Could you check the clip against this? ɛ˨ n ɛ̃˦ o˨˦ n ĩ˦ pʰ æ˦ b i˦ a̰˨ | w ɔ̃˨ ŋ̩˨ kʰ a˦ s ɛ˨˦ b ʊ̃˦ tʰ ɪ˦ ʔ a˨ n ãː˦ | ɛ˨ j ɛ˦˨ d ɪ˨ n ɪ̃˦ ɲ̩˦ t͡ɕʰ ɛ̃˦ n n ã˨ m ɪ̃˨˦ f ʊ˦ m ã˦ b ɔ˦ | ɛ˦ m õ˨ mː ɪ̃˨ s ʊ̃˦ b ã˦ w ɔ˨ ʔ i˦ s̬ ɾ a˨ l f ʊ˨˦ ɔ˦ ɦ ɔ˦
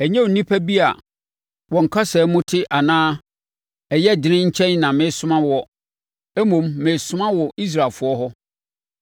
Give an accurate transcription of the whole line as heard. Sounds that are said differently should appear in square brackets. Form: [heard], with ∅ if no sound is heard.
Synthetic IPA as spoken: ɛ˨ [ɲ] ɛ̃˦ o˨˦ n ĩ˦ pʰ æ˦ b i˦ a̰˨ | w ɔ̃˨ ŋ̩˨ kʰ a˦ s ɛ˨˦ [m] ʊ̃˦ tʰ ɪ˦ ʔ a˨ n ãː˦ | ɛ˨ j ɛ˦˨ d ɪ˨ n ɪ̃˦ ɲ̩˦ t͡ɕʰ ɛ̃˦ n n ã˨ m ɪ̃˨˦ [s] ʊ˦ m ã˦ [w] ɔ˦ | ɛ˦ m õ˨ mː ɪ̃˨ s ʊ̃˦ [m] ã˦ w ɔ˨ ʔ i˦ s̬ ɾ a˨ l f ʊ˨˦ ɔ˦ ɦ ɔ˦

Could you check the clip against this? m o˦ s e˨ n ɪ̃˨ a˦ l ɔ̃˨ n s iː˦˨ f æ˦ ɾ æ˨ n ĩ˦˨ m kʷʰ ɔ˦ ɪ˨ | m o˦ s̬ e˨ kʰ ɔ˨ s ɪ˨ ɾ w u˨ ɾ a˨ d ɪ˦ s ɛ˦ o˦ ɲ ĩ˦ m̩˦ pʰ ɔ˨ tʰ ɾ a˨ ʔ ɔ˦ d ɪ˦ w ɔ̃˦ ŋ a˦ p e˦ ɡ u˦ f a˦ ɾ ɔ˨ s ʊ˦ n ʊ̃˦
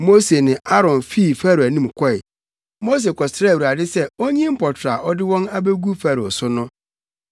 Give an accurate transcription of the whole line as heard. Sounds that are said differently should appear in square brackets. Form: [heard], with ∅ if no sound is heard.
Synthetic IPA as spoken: m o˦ s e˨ n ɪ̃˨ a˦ [ɾ] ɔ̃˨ n [f] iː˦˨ f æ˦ ɾ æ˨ n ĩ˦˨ m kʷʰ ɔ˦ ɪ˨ | m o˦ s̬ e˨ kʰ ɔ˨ s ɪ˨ ɾ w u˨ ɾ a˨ d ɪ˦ s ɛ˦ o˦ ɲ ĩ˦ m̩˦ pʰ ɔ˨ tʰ ɾ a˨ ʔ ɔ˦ d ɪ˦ w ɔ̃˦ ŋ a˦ [b] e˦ ɡ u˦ f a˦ ɾ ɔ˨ s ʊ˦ n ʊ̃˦

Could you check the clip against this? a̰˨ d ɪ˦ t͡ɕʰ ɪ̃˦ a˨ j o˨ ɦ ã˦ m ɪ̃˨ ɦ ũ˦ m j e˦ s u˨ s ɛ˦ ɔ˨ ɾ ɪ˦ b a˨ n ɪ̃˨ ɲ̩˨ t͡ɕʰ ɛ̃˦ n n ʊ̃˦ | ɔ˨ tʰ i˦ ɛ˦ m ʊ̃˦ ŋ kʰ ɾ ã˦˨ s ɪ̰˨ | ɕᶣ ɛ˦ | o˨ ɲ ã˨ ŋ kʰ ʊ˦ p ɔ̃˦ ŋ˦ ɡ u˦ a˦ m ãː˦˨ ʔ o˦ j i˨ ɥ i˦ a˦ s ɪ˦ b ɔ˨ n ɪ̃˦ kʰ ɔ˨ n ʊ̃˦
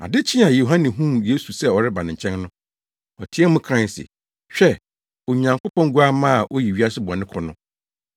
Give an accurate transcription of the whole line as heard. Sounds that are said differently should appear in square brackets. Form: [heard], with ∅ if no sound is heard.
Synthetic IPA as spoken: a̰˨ d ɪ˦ t͡ɕʰ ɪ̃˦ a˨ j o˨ ɦ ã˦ [n] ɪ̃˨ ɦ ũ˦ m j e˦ s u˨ s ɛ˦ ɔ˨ ɾ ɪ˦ b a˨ n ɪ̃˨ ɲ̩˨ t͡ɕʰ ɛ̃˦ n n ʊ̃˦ | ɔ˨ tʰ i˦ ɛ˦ m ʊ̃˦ [∅] kʰ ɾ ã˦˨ s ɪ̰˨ | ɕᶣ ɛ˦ | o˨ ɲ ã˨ ŋ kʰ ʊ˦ p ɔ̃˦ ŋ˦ ɡ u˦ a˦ m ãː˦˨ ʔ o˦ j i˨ ɥ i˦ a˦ s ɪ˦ b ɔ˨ n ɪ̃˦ kʰ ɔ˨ n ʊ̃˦

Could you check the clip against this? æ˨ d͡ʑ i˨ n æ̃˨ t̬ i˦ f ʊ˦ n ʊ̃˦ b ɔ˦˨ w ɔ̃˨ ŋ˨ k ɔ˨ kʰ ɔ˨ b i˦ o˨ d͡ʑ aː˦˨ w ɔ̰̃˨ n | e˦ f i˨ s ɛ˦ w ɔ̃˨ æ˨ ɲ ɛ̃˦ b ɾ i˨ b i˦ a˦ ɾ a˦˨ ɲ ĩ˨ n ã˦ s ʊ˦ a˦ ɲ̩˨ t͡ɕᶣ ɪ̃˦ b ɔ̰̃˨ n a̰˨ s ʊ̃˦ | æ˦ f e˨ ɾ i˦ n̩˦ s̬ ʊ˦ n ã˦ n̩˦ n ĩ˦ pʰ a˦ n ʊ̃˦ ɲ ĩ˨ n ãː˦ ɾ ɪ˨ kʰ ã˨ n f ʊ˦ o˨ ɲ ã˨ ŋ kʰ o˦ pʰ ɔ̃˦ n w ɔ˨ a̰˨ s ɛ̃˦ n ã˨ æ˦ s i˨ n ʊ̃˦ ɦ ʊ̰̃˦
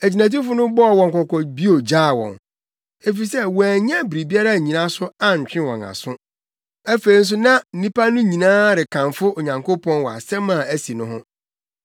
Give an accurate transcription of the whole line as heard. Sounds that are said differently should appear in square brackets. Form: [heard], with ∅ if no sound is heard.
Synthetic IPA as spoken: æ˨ d͡ʑ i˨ n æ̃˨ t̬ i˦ f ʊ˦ n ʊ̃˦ b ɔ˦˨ w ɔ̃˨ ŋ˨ k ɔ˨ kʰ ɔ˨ b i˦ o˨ d͡ʑ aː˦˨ w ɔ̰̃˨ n | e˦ f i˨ s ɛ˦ w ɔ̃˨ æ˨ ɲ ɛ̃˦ b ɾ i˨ b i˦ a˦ ɾ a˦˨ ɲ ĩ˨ n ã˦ s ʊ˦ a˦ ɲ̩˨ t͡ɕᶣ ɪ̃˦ [w] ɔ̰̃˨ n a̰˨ s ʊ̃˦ | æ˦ f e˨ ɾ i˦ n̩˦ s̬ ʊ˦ n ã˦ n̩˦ n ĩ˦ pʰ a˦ n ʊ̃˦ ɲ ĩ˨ n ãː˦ ɾ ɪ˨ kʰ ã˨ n f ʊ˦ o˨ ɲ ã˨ ŋ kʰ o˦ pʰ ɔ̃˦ n w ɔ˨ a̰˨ s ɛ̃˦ [m] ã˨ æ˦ s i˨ n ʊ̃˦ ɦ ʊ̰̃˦

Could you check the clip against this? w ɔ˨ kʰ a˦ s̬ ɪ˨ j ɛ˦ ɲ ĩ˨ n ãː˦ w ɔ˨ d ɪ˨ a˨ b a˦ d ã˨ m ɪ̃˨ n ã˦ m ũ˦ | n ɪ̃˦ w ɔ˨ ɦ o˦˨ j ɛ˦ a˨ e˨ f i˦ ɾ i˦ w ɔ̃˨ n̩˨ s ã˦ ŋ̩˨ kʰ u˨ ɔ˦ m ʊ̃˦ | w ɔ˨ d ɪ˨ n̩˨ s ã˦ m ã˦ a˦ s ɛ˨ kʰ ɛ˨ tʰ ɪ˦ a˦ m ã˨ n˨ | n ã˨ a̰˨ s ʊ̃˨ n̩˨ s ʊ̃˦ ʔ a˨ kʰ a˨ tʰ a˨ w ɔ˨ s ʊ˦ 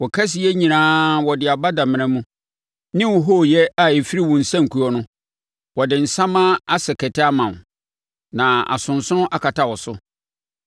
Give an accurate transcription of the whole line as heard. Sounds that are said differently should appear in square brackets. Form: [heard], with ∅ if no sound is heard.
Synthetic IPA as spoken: w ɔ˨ kʰ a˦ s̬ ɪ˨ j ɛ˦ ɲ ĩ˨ n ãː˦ w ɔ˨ d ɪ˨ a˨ b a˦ d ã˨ m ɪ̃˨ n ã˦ m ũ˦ | n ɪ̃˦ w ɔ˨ ɦ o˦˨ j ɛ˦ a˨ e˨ f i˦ ɾ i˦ w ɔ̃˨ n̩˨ s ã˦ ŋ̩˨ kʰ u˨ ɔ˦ [n] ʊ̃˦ | w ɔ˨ d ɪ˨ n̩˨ s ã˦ m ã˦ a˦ s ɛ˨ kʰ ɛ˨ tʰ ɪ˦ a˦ m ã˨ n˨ | n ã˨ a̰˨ s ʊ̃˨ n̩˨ s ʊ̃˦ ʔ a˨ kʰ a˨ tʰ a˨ w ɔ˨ s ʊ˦

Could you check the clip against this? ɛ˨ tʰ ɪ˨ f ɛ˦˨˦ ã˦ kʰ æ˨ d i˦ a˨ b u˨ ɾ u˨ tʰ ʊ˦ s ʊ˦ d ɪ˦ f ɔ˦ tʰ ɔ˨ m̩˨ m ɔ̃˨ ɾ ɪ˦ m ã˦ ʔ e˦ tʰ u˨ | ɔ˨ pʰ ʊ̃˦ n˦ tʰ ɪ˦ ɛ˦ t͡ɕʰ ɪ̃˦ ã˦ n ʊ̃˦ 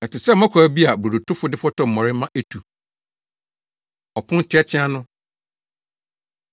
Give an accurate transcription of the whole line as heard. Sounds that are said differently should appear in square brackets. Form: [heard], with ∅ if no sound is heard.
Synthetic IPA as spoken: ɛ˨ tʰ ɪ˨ [s] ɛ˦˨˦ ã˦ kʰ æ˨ [b] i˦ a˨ b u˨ ɾ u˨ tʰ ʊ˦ [f] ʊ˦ d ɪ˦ f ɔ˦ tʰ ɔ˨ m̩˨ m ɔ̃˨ ɾ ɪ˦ m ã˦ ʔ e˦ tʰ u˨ | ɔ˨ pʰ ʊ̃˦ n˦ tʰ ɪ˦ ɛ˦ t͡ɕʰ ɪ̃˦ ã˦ n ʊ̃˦

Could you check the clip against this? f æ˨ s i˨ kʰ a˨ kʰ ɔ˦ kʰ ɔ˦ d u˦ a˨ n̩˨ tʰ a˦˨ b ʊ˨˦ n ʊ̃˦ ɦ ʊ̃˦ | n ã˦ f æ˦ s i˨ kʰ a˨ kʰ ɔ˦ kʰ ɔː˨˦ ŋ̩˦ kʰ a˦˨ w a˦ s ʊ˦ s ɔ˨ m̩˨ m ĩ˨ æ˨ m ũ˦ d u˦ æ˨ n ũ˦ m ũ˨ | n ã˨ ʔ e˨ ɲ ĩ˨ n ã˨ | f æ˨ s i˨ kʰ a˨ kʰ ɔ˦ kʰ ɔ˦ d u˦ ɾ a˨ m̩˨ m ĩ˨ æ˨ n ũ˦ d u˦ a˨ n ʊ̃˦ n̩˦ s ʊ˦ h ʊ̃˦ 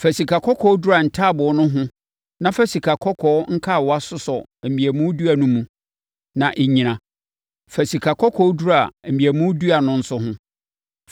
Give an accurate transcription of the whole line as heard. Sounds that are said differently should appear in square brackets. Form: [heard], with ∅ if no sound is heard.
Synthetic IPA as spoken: f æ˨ s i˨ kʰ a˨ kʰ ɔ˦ kʰ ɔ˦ d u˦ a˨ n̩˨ tʰ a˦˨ b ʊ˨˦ n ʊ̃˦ ɦ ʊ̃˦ | n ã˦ f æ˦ s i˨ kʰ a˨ kʰ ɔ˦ kʰ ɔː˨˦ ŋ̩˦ kʰ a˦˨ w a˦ s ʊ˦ s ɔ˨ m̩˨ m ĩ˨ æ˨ m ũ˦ d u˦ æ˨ n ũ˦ m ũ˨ | n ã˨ ʔ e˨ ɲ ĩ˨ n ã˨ | f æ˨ s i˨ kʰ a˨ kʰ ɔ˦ kʰ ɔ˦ d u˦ ɾ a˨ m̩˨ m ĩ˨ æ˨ [m] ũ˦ d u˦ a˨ n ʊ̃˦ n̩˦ s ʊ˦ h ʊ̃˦

